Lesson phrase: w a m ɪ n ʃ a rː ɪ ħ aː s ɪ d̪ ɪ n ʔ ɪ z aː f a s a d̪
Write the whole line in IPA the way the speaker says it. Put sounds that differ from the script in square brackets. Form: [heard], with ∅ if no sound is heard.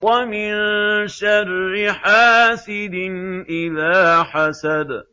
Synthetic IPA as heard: w a m ɪ n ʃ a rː ɪ ħ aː s ɪ d̪ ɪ n ʔ ɪ [ð] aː [ħ] a s a d̪